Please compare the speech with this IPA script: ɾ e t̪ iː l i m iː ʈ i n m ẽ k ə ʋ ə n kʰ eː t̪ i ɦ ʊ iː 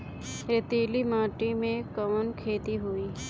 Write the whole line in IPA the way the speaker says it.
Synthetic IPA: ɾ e t̪ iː l i m aː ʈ i m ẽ k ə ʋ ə n kʰ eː t̪ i ɦ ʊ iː